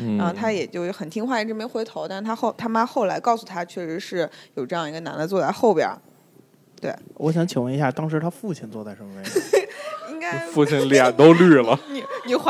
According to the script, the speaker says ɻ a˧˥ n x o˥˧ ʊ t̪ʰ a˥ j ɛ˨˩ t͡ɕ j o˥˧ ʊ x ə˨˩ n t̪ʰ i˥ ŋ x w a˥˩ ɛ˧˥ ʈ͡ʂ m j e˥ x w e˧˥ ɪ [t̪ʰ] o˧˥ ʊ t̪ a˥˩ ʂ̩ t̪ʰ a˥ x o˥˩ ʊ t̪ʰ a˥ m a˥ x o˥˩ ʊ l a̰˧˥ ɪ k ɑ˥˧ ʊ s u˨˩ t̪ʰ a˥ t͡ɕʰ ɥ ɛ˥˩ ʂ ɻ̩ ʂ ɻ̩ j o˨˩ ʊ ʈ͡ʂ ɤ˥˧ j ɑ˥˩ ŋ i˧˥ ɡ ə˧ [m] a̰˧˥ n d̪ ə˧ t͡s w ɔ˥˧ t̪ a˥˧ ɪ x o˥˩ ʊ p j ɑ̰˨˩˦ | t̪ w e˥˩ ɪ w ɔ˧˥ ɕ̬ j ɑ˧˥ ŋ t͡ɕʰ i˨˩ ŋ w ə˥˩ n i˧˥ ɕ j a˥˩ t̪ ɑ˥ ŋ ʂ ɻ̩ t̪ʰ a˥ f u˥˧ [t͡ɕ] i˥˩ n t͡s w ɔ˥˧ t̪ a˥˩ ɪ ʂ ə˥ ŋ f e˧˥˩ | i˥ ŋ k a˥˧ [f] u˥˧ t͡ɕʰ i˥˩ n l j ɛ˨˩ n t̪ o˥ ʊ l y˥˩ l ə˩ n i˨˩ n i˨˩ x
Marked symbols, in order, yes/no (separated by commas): yes, no, no, yes